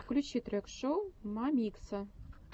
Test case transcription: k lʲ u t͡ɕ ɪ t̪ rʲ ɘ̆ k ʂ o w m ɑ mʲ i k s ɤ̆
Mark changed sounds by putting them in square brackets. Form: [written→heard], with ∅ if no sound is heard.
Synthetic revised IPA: k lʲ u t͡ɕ [ɪ→i] t̪ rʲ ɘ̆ k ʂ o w m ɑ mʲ i k s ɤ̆